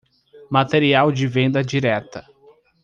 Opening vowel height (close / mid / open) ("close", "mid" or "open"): open